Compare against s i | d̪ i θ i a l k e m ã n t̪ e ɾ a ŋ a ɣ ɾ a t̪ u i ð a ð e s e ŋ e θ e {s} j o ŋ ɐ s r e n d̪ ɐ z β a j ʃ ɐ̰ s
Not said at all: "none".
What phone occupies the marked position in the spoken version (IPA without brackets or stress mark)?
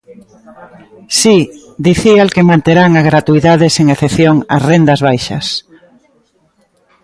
θ